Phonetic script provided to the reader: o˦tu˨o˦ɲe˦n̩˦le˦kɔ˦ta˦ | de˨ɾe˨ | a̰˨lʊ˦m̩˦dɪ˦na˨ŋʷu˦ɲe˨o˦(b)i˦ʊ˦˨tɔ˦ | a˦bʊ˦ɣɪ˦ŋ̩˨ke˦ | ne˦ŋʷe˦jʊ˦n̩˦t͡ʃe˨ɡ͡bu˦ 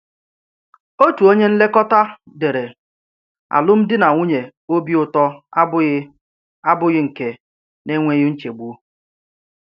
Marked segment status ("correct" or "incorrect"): correct